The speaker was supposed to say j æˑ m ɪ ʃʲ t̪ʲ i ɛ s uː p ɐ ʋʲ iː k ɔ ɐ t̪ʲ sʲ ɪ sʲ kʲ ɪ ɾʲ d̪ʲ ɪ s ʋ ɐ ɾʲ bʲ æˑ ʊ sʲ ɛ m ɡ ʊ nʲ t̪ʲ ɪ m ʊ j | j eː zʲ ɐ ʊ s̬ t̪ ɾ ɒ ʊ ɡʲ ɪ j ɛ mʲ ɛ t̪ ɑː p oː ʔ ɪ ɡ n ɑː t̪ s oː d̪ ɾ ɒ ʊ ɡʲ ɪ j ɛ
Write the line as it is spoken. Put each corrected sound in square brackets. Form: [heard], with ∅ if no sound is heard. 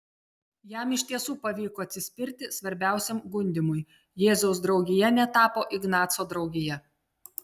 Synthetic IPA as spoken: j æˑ m ɪ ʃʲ t̪ʲ i ɛ s uː p ɐ ʋʲ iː k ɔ ɐ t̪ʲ sʲ ɪ sʲ [pʲ] ɪ ɾʲ [t̪ʲ] ɪ s ʋ ɐ ɾʲ bʲ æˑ ʊ sʲ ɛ m ɡ ʊ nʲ [d̪ʲ] ɪ m ʊ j | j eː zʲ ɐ ʊ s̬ [d̪] ɾ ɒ ʊ ɡʲ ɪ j ɛ [nʲ] ɛ t̪ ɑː p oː ʔ ɪ ɡ n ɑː t̪ s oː d̪ ɾ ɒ ʊ ɡʲ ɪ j ɛ